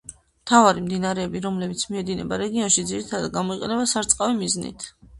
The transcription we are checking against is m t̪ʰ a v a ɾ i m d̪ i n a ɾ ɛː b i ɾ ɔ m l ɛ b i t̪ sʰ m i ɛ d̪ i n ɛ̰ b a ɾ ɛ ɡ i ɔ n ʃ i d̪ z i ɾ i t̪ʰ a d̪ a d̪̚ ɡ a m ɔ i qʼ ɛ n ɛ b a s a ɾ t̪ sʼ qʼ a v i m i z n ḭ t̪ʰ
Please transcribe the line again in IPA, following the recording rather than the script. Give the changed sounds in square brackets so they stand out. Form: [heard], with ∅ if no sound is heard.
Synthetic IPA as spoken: m t̪ʰ a v a ɾ i m d̪ i n a ɾ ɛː b i ɾ ɔ m l ɛ b i t̪ sʰ m i ɛ d̪ i n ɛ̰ b a ɾ ɛ ɡ i ɔ n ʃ i d̪ z i ɾ i t̪ʰ a d̪ a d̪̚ ɡ a m ɔ i qʼ ɛ n ɛ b a s a ɾ t̪ sʼ qʼ a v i m i z n ḭ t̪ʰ